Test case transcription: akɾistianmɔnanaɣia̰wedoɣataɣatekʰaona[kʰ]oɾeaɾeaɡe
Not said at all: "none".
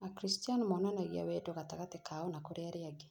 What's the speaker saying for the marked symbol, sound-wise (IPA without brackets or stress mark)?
k